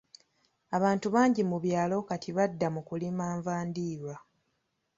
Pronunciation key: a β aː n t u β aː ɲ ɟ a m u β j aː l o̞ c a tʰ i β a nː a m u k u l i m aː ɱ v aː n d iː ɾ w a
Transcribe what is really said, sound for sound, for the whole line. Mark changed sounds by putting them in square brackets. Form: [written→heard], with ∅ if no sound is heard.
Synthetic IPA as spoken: a β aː n t u β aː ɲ ɟ [a→i] m u β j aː l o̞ [c→k] a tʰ i β a [nː→dː] a m u k u l i m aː ɱ v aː n d iː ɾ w a